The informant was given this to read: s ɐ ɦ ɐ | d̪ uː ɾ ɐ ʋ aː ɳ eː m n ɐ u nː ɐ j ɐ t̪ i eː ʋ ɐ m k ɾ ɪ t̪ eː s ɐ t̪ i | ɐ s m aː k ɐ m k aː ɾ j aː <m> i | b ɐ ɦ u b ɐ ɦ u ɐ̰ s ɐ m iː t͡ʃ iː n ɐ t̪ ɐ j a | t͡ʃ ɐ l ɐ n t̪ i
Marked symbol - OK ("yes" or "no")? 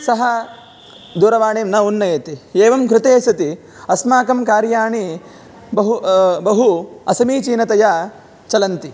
no